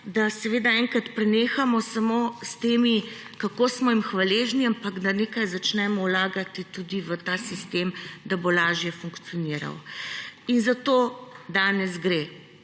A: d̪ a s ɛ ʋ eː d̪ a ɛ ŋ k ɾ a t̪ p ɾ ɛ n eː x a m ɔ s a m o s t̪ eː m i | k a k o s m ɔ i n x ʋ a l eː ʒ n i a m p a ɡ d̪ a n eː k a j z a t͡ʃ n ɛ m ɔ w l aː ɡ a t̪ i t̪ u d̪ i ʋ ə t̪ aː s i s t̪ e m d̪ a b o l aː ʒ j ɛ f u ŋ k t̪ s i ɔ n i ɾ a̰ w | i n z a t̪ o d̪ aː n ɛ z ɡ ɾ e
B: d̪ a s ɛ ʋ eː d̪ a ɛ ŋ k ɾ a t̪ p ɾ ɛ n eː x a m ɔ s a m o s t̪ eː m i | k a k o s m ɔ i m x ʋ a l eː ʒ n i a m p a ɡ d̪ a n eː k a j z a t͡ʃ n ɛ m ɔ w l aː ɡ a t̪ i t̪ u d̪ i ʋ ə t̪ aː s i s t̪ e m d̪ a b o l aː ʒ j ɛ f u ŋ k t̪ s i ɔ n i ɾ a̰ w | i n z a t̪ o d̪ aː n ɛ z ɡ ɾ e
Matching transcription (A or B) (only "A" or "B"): B